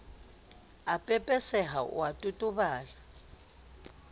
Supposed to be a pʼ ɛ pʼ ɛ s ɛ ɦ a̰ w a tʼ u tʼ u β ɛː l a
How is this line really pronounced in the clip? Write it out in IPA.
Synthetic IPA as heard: a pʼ ɛ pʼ ɛ s ɛ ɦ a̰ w a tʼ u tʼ u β aː l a